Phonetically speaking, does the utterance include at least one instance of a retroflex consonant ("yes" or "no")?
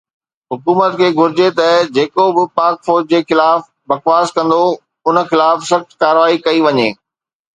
no